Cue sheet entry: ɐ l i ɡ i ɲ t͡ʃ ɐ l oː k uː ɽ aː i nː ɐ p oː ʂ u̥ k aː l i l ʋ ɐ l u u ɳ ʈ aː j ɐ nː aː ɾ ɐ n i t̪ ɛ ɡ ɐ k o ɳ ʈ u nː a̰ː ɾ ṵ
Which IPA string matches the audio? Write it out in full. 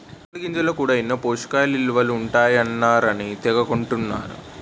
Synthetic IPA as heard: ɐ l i ɡ i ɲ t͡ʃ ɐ l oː k uː ɽ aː i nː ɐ p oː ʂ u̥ k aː l i l ʋ ɐ l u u ɳ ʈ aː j ɐ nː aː ɾ ɐ n i t̪ ɛ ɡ ɐ k o ɳ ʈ u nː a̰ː ɾ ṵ